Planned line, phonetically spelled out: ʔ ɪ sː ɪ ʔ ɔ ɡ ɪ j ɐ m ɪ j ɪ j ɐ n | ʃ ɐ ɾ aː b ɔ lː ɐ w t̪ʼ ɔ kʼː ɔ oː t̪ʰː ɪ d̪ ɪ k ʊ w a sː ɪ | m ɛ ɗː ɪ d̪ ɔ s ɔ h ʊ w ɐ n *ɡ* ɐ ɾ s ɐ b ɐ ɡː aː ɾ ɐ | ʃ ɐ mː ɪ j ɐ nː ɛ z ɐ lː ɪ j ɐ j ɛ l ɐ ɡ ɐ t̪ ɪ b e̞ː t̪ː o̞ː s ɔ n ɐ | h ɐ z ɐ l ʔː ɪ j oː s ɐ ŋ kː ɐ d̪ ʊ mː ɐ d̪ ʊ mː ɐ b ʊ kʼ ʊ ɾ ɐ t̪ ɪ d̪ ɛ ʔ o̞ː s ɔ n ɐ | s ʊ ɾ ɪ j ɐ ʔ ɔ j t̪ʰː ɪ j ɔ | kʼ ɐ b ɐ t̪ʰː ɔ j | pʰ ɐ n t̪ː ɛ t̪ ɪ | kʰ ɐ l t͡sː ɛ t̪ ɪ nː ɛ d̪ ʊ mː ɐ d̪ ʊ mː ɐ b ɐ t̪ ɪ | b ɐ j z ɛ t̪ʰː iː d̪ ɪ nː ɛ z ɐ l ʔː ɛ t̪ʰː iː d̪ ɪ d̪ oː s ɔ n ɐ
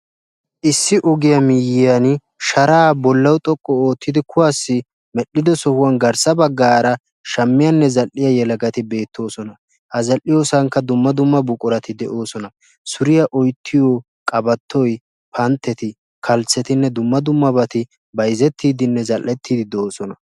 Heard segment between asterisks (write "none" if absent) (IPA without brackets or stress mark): ɡ